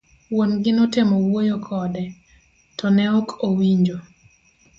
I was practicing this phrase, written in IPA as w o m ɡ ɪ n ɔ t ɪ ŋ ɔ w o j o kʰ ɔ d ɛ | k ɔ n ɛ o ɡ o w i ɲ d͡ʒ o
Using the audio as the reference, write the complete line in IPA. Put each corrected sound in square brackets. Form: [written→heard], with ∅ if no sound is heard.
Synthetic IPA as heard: w o [m→n] ɡ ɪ n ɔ t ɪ [ŋ→m] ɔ w o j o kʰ ɔ d ɛ | [k→t] ɔ n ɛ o [ɡ→k] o w i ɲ d͡ʒ o